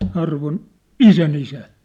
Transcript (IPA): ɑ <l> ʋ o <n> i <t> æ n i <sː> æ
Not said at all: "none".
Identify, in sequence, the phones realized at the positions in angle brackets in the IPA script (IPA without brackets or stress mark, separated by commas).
r, n, s, s